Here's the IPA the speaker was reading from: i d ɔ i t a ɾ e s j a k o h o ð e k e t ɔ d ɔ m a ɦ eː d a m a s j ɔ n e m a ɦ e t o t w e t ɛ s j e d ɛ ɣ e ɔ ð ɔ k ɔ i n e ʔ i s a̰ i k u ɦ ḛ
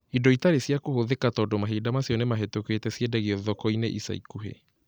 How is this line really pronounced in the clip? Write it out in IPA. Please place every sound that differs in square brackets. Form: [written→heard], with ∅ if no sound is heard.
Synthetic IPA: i d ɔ i t a ɾ e s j a k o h o ð e k [e→a] t ɔ d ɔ m a ɦ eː d a m a s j ɔ n e m a ɦ e t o [t→k] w e t ɛ s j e d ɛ ɣ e ɔ ð ɔ k ɔ i n e ʔ i s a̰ i k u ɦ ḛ